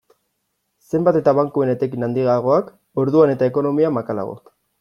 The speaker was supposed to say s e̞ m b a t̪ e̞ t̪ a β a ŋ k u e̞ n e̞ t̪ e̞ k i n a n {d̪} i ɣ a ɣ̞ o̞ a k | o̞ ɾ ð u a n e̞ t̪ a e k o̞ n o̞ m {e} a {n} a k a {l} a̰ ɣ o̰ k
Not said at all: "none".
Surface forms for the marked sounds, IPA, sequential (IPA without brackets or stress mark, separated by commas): d̪, i, m, l